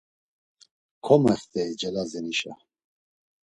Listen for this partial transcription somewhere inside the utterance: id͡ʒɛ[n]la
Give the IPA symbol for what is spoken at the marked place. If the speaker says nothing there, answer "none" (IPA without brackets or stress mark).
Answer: none